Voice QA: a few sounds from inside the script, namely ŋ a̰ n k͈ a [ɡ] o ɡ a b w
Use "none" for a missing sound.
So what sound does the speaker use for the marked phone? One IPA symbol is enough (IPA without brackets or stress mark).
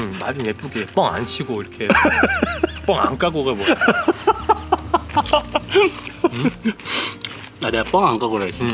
ɡ